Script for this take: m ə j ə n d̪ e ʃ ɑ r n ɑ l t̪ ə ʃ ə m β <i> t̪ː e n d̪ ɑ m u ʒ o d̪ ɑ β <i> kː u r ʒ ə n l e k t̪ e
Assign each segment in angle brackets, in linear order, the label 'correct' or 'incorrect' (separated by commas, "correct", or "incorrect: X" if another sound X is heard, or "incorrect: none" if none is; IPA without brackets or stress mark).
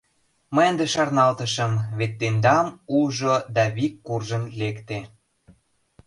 incorrect: e, correct